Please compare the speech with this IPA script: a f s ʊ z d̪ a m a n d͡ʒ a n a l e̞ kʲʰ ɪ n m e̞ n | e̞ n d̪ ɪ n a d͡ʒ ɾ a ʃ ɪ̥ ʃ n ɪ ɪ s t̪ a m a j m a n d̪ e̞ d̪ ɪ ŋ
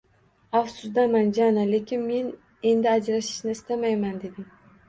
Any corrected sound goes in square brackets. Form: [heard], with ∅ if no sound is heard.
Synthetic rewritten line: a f s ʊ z d̪ a m a n d͡ʒ a n a l e̞ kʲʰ ɪ n m e̞ n | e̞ n d̪ ɪ [∅] a d͡ʒ ɾ a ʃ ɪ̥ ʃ n ɪ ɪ s t̪ a m a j m a n d̪ e̞ d̪ ɪ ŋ